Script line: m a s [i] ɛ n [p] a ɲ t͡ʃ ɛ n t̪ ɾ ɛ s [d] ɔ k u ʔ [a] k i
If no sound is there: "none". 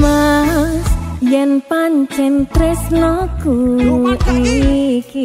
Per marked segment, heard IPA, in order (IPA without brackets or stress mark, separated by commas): j, p, n, i